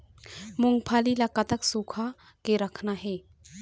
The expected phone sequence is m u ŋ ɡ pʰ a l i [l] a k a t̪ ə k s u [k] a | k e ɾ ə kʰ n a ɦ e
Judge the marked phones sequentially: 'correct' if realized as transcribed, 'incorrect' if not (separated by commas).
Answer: correct, incorrect